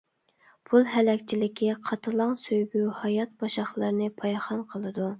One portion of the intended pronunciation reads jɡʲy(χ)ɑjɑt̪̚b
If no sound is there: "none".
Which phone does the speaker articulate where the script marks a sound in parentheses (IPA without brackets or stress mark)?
h